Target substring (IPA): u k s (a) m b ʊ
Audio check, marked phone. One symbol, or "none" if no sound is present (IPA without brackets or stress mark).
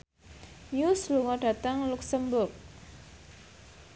ə